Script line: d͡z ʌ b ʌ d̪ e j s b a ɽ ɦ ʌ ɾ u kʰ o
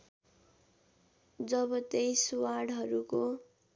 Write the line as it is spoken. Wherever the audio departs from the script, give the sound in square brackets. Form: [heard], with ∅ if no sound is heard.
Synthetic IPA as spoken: d͡z ʌ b ʌ [t̪] e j s [w] a ɽ ɦ ʌ ɾ u [k] o